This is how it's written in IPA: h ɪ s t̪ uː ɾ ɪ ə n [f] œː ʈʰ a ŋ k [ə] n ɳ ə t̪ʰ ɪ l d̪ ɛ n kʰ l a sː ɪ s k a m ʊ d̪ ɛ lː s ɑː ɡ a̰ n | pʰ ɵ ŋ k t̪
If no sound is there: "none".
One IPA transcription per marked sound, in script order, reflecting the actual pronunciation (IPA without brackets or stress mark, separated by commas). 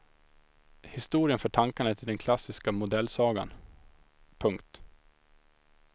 f, a